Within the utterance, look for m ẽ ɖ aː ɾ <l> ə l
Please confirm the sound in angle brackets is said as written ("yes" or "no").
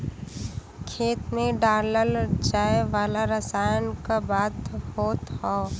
yes